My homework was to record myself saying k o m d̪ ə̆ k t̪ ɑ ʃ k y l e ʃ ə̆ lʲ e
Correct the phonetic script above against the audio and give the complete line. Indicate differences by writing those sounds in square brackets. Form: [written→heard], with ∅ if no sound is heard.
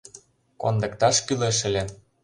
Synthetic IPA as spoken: k o [m→n] d̪ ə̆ k t̪ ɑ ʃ k y l e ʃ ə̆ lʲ e